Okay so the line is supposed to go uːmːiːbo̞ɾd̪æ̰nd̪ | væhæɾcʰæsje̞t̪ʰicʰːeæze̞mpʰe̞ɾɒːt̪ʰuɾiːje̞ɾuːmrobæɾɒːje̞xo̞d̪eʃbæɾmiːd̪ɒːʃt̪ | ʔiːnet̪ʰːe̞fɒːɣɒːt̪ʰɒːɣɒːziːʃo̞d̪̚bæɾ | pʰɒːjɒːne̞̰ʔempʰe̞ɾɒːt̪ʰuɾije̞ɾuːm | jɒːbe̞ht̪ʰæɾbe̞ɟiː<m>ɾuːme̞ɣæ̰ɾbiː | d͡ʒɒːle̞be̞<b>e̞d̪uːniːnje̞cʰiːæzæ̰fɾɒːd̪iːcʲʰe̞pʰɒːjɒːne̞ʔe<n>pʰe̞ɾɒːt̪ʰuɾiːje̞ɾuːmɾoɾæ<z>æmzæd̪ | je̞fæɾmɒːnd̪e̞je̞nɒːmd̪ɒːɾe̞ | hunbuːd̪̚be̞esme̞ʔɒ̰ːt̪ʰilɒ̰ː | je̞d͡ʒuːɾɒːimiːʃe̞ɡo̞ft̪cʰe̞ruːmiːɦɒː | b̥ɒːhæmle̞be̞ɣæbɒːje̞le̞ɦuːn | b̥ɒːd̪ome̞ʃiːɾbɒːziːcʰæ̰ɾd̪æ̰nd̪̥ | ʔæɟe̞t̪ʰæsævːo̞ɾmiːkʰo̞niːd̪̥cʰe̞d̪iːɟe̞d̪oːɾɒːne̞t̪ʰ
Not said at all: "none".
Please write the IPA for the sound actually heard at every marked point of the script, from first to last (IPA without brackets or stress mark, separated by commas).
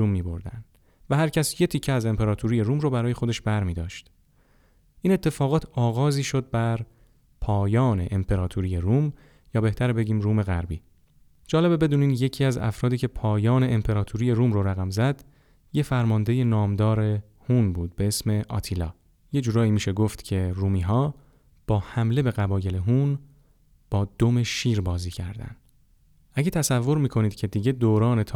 m, b, m, ɣ